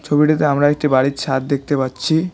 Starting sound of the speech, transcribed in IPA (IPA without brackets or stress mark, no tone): t͡ɕʰ